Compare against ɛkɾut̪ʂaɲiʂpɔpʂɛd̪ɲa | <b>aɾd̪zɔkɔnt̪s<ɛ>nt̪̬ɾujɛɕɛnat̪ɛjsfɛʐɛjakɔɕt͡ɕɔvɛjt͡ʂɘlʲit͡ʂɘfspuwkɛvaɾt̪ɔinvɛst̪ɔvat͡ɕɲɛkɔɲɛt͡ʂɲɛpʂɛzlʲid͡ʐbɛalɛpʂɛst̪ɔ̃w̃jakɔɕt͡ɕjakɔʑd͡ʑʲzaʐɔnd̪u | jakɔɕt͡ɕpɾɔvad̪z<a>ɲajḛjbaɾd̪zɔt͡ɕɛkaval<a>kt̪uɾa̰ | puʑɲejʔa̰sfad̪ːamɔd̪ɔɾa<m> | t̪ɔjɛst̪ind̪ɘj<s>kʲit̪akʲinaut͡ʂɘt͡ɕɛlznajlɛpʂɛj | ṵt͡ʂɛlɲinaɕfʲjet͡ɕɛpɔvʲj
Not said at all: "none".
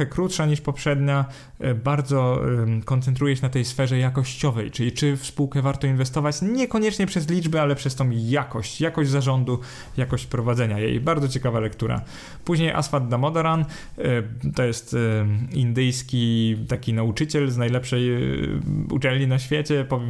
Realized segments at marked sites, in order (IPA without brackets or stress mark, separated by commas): b, ɛ, ɛ, ɛ, n, s